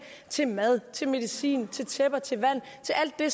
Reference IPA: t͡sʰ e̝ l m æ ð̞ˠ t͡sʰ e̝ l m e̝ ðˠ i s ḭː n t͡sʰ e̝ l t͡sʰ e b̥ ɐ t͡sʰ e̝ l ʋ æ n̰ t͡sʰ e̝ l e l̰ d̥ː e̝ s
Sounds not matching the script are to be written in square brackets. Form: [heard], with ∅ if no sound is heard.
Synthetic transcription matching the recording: t͡sʰ e̝ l m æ ð̞ˠ t͡sʰ e̝ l m e̝ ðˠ i s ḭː n t͡sʰ e̝ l t͡sʰ e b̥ ɐ t͡sʰ e̝ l ʋ æ n̰ t͡sʰ e̝ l [æ] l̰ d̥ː e̝ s